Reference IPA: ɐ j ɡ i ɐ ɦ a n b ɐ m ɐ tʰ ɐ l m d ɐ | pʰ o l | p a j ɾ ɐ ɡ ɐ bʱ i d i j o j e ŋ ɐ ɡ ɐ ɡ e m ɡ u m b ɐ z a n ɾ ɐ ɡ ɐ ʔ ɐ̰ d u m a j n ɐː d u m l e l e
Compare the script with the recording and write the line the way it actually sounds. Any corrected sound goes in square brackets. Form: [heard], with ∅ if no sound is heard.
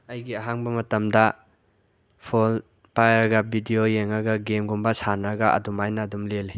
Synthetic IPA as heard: ɐ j ɡ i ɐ ɦ a [ŋ] b ɐ m ɐ [t] ɐ [∅] m d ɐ | pʰ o l | p a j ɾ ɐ ɡ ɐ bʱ i d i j o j e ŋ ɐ ɡ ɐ ɡ e m ɡ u m b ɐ [s] a n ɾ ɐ ɡ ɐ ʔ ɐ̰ d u m a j n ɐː d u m l e l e

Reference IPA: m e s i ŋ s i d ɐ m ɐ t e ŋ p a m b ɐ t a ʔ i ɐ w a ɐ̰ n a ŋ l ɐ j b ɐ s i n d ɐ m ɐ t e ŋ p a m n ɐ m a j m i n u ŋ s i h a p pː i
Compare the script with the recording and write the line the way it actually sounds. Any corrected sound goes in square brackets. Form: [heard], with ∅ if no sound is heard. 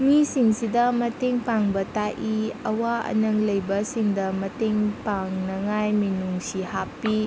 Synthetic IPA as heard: m [i] s i ŋ s i d ɐ m ɐ t e ŋ p a [ŋ] b ɐ t a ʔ i ɐ w a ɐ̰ n [ɐ] ŋ l ɐ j b ɐ s i [ŋ] d ɐ m ɐ t e ŋ p a [ŋ] n ɐ [ŋ] a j m i n u ŋ s i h a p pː i

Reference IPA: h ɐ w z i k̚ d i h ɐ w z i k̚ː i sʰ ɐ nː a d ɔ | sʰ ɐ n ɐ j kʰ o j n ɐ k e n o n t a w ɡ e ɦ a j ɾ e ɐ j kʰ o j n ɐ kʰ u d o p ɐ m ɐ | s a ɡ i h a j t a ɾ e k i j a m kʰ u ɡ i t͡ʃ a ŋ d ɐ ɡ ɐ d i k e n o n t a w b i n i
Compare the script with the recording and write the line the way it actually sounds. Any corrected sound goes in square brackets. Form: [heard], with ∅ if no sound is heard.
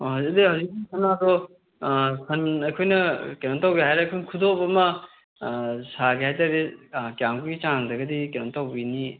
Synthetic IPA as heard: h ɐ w z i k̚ d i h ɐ w z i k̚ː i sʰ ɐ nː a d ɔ | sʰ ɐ n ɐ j kʰ o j n ɐ k e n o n t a w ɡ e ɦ a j ɾ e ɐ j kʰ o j n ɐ kʰ u d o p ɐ m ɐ | s a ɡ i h a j t a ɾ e k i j a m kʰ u ɡ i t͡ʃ a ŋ d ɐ ɡ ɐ d i k e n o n t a w b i n i

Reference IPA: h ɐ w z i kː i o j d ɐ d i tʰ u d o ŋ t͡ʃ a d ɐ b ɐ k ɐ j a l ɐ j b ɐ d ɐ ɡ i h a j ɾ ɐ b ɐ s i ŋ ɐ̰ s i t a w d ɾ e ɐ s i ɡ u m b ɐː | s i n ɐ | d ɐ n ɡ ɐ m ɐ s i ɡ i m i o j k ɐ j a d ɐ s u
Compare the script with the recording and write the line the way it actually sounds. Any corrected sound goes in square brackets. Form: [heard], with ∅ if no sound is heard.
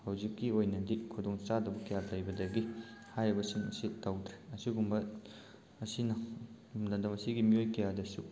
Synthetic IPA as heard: h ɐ w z i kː i o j [n] ɐ d i [kʰ] u d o ŋ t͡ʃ a d ɐ b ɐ k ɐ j a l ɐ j b ɐ d ɐ ɡ i h a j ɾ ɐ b ɐ s i ŋ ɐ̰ s i t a w d ɾ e ɐ s i ɡ u m b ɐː | s i n ɐ | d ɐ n [d] ɐ m ɐ s i ɡ i m i o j k ɐ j a d ɐ s u

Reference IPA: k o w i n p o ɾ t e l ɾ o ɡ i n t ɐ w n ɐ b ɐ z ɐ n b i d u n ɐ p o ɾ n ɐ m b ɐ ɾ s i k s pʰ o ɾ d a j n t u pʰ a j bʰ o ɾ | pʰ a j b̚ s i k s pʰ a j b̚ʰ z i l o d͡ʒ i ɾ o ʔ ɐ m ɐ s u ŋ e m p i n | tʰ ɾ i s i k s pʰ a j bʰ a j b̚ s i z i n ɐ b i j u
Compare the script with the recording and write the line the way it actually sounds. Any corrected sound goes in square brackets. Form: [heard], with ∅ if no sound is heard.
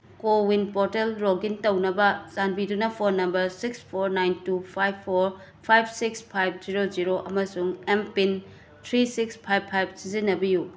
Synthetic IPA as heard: k o w i n p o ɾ t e l ɾ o ɡ i n t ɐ w n ɐ b ɐ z [a] n b i d u n ɐ [pʰ] o ɾ n ɐ m b ɐ ɾ s i k s pʰ o ɾ [n] a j n t u pʰ a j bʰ o ɾ | pʰ a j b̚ s i k s pʰ a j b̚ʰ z i [ɾ] o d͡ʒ i ɾ o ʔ ɐ m ɐ s u ŋ e m p i n | tʰ ɾ i s i k s pʰ a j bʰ a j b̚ s i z i n ɐ b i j u

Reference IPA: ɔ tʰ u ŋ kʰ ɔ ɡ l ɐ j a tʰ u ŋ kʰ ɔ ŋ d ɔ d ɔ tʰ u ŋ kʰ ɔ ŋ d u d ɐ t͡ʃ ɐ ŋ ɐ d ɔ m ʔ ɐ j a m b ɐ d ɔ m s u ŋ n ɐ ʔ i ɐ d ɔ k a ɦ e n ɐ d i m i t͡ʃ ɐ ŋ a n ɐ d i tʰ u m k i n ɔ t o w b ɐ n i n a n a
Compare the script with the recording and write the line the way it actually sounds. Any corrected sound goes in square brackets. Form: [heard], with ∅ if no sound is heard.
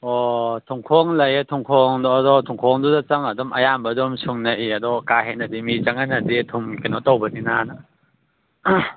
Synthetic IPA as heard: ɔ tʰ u ŋ kʰ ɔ [ŋ] l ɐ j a tʰ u ŋ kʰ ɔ ŋ d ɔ d ɔ tʰ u ŋ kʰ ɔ ŋ d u d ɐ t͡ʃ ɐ ŋ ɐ d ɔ m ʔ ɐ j a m b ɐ d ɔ m s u ŋ n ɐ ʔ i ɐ d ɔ k a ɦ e n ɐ d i m i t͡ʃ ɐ ŋ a n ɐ d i tʰ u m k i n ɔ t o w b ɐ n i n a n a

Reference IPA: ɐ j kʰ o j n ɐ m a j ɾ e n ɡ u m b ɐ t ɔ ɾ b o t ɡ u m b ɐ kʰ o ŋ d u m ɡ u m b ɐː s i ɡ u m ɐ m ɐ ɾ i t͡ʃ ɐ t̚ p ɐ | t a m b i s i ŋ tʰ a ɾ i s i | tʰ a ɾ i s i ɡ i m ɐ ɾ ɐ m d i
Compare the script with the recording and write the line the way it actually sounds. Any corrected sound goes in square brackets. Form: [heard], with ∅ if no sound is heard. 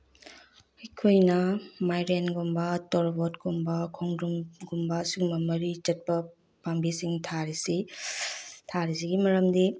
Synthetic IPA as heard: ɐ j kʰ o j n ɐ m a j ɾ e n ɡ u m b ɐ t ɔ ɾ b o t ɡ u m b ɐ kʰ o ŋ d u m ɡ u m b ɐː s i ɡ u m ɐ m ɐ ɾ i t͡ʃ ɐ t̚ p ɐ | [p] a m b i s i ŋ tʰ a ɾ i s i | tʰ a ɾ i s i ɡ i m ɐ ɾ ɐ m d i

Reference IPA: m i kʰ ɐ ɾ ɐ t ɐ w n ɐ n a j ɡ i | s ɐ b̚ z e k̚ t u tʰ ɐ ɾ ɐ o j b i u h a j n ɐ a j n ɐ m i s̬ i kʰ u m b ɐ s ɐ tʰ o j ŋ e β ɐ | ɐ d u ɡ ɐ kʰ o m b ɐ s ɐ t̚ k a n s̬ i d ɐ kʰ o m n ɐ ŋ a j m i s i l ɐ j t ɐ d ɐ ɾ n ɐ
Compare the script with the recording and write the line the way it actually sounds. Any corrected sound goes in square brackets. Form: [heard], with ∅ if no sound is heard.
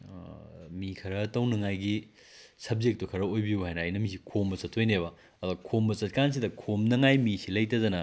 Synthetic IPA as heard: m i kʰ ɐ ɾ ɐ t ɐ w n ɐ [ŋ] a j ɡ i | s ɐ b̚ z e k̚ t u [kʰ] ɐ ɾ ɐ o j b i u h a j n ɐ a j n ɐ m i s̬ i kʰ [o] m b ɐ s ɐ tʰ o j [n] e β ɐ | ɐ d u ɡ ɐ kʰ o m b ɐ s ɐ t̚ k a n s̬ i d ɐ kʰ o m n ɐ ŋ a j m i s i l ɐ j t ɐ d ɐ [∅] n ɐ

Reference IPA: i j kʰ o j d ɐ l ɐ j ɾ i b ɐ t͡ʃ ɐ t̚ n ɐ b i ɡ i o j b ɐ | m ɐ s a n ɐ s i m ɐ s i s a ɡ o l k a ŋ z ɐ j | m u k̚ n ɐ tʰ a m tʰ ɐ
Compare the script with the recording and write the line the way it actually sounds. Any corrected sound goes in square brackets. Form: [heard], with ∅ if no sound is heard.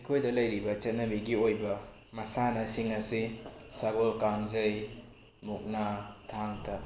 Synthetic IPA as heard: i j kʰ o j d ɐ l ɐ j ɾ i b ɐ t͡ʃ ɐ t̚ n ɐ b i ɡ i o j b ɐ | m ɐ s a n ɐ s i [ŋ] ɐ s i s a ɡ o l k a ŋ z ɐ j | m u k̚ n [a] tʰ a [ŋ] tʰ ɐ

